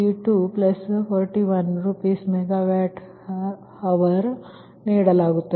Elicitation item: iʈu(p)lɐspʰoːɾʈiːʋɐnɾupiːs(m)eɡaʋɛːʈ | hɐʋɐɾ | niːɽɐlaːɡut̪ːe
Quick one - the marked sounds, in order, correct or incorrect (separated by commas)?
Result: correct, correct